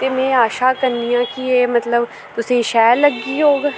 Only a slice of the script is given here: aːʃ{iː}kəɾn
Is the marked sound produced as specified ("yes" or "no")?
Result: no